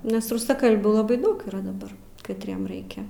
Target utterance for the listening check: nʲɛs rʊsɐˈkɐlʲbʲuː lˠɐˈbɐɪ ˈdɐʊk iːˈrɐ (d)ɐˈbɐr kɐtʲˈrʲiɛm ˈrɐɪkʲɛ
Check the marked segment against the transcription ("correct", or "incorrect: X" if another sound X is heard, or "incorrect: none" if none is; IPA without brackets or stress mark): correct